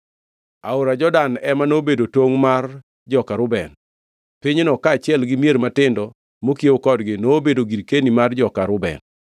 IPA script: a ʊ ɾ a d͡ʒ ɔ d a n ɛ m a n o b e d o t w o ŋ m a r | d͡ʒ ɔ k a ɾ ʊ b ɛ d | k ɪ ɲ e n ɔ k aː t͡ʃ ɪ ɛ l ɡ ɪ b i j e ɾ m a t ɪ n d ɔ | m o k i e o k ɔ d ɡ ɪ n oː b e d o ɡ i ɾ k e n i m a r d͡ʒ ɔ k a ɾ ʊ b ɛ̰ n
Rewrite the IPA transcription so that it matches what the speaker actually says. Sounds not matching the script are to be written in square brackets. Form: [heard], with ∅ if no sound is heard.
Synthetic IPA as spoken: a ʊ ɾ a d͡ʒ ɔ d a n ɛ m a n o b e d o t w o ŋ m a r | d͡ʒ ɔ k a ɾ ʊ b ɛ [n] | [p] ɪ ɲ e n ɔ k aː t͡ʃ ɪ ɛ l ɡ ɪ [m] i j e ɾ m a t ɪ n d ɔ | m o k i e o k ɔ d ɡ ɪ n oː b e d o ɡ i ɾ k e n i m a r d͡ʒ ɔ k a ɾ ʊ b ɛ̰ n

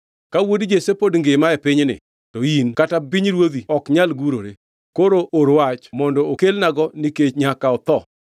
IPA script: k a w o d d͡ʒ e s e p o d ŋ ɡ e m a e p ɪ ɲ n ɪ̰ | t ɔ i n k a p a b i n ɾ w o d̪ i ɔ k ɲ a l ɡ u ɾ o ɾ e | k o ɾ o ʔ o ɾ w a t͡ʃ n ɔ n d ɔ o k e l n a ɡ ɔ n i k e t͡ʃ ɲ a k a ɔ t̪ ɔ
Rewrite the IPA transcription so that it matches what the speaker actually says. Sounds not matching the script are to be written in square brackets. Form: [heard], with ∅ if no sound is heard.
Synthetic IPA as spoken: k a w o d d͡ʒ e s e p o d ŋ ɡ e m a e p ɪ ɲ n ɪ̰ | t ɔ i n k a [t] a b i [ɲ] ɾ w o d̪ i ɔ k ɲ a l ɡ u ɾ o ɾ e | k o ɾ o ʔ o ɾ w a t͡ʃ [m] ɔ n d ɔ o k e l n a ɡ ɔ n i k e t͡ʃ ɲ a k a ɔ t̪ ɔ

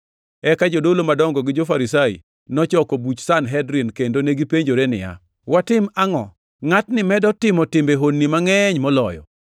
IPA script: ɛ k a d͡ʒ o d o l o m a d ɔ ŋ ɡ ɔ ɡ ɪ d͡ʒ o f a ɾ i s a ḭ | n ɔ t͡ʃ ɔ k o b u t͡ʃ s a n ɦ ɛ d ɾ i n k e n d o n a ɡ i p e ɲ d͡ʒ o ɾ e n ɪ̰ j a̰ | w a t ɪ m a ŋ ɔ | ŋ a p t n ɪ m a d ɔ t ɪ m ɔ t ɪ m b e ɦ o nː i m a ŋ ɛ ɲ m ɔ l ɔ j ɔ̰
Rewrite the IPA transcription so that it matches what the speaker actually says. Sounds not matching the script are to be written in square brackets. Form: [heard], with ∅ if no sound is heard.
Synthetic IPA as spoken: ɛ k a d͡ʒ o d o l o m a d ɔ ŋ ɡ ɔ ɡ ɪ d͡ʒ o f a ɾ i s a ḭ | n ɔ t͡ʃ ɔ k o b u t͡ʃ s a n ɦ ɛ d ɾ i n k e n d o n [e] ɡ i p e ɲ d͡ʒ o ɾ e n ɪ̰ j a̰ | w a t ɪ m a ŋ ɔ | ŋ a [∅] t n ɪ m [ɛ] d ɔ t ɪ m ɔ t ɪ m b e ɦ o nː i m a ŋ ɛ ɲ m ɔ l ɔ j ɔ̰

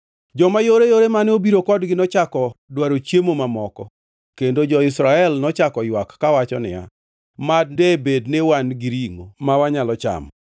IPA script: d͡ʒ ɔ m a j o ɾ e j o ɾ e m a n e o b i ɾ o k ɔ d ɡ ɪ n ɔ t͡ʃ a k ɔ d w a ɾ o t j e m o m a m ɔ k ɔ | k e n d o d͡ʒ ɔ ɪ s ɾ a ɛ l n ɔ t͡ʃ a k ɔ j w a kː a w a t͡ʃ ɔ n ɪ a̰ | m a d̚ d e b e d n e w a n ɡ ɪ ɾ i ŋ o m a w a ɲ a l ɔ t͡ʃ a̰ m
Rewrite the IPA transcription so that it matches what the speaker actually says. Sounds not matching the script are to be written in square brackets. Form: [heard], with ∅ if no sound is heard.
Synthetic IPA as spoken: d͡ʒ ɔ m a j o ɾ e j o ɾ e m a n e o b i ɾ o k ɔ d ɡ ɪ n ɔ t͡ʃ a k ɔ d w a ɾ o [t͡ʃ] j e m o m a m ɔ k ɔ | k e n d o d͡ʒ ɔ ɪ s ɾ a ɛ l n ɔ t͡ʃ a k ɔ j w a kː a w a t͡ʃ ɔ n ɪ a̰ | m a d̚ d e b e d n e w a n ɡ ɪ ɾ i ŋ o m a w a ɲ a l ɔ t͡ʃ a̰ m

